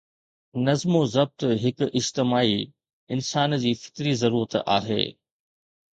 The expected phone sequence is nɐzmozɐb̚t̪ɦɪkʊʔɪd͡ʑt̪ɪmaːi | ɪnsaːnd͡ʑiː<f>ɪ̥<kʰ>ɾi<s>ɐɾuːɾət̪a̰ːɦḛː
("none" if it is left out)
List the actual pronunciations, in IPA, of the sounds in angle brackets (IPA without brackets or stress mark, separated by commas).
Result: f, k, z